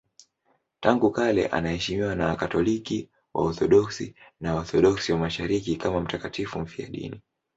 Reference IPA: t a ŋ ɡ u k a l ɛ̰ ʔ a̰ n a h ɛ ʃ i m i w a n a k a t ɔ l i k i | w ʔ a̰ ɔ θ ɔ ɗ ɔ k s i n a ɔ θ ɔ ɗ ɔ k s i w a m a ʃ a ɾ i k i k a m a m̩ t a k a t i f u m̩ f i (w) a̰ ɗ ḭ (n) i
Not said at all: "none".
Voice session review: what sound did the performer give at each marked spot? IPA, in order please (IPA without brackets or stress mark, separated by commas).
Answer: none, n